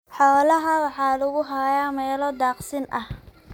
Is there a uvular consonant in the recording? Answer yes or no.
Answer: yes